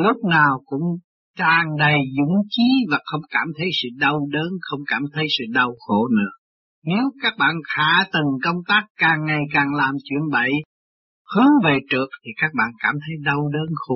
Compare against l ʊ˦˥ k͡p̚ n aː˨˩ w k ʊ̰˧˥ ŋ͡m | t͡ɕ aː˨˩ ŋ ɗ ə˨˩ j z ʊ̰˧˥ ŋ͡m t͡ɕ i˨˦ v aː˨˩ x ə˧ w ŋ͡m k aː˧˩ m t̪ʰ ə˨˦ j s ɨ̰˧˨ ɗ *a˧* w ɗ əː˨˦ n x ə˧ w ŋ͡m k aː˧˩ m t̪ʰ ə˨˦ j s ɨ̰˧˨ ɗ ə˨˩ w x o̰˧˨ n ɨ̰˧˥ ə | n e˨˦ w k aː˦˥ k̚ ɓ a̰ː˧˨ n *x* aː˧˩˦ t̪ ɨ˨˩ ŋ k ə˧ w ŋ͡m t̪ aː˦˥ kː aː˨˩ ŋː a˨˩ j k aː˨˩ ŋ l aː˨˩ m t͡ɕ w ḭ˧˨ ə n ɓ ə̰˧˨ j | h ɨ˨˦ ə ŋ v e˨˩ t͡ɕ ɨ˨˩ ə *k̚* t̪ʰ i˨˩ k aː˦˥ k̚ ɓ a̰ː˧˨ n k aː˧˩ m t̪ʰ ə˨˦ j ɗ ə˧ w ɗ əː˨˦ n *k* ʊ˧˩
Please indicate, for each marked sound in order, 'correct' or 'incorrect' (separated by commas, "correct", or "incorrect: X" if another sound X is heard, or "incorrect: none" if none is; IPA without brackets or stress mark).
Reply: incorrect: ə˧, correct, correct, incorrect: x